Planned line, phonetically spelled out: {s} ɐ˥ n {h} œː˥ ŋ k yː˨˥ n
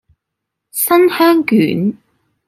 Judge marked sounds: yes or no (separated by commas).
yes, yes